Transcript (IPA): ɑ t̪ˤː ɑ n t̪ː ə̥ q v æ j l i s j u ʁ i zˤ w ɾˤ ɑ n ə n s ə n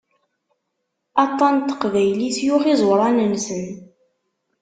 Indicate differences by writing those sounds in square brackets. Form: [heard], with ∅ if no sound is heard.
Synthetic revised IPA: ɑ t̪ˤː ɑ n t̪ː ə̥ q v æ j l i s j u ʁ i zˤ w ɾˤ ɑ n ə n s ə n